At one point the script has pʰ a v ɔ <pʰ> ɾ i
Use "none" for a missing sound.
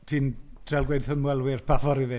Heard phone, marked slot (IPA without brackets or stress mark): none